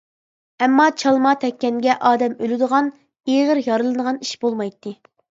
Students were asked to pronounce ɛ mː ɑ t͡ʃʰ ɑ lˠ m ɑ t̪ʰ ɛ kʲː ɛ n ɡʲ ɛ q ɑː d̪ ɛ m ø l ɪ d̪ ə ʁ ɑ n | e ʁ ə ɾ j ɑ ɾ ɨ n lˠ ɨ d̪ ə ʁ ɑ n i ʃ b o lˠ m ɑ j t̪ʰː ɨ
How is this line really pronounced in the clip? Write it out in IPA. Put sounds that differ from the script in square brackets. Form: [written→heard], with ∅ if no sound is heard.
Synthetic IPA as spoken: ɛ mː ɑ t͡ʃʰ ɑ lˠ m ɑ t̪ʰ ɛ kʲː ɛ n ɡʲ ɛ [q→ʔ] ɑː d̪ ɛ m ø l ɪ d̪ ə ʁ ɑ n | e ʁ ə ɾ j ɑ ɾ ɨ [n→∅] lˠ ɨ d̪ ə ʁ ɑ n i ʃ b o lˠ m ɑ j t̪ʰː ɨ